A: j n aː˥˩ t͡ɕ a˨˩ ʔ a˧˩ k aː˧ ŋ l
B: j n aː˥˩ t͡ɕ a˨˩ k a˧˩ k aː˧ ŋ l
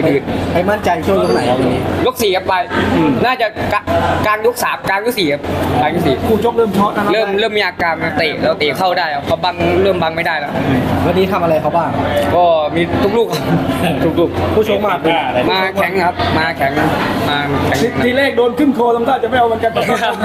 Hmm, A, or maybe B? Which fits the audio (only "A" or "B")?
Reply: B